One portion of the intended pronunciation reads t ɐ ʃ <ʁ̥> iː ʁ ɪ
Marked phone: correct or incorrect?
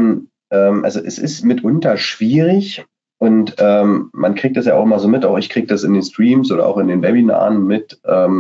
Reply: incorrect